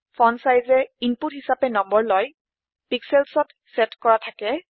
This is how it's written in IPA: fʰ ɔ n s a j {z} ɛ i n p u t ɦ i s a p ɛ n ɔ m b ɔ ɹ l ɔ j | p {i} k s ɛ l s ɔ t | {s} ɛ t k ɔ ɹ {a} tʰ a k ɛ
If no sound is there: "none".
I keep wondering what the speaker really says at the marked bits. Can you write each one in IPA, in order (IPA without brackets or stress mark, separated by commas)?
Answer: z, i, s, a